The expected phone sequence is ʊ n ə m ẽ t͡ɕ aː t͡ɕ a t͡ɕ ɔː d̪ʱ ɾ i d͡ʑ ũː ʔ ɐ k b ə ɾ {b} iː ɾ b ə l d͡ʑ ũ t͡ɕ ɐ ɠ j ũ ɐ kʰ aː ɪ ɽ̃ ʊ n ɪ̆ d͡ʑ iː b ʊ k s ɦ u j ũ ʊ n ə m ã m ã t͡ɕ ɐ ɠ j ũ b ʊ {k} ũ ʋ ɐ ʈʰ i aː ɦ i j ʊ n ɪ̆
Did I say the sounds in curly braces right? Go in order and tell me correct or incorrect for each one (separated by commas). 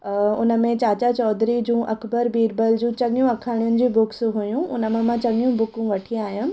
correct, correct